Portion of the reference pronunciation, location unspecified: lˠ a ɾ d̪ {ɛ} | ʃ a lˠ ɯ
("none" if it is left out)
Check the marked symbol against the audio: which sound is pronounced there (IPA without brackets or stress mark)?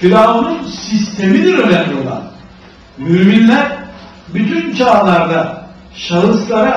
a